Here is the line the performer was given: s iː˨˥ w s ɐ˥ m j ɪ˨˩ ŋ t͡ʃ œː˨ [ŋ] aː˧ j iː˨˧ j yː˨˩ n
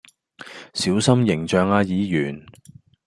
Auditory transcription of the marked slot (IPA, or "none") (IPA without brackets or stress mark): ŋ